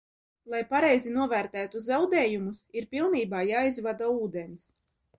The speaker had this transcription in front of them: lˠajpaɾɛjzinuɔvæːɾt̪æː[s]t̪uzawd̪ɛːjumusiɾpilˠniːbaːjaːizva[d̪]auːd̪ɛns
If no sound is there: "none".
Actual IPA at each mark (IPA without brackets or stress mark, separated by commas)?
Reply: none, d̪